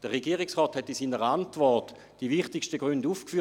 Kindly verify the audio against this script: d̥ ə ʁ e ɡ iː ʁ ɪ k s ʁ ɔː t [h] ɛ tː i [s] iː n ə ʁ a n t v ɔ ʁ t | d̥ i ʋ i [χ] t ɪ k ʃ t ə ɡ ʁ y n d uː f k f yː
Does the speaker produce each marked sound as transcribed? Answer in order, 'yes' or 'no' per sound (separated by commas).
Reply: yes, yes, yes